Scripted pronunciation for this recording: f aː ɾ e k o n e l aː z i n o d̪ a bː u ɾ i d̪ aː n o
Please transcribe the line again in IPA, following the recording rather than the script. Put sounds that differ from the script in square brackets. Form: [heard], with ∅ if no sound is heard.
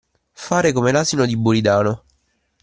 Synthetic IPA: f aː ɾ e k o [m] e l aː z i n o d̪ [i] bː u ɾ i d̪ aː n o